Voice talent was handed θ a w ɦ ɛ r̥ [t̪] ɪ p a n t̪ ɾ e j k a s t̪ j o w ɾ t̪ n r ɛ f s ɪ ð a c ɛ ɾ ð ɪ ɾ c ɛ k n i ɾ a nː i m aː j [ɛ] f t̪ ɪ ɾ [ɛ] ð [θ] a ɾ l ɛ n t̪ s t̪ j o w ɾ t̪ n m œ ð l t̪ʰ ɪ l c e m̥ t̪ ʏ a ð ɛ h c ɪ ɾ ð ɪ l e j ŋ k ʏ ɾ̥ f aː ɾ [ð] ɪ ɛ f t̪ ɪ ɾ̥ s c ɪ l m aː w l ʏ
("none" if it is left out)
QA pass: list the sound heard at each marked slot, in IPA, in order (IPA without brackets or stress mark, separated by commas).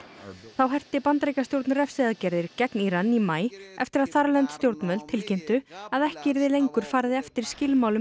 t̪, ɛ, a, θ, ð